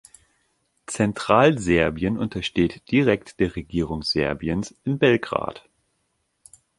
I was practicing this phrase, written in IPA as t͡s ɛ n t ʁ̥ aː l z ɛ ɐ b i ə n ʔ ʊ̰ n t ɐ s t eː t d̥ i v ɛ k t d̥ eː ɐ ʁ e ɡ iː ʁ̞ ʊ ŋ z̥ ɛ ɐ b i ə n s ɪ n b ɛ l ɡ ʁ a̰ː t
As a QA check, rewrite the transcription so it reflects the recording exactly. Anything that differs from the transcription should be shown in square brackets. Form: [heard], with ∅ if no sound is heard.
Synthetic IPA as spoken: t͡s ɛ n t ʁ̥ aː l z ɛ ɐ b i ə n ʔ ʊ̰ n t ɐ [ʃ] t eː t d̥ i [ʁ] ɛ k t d̥ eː ɐ ʁ e ɡ iː ʁ̞ ʊ ŋ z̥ ɛ ɐ b i ə n s ɪ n b ɛ l ɡ ʁ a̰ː t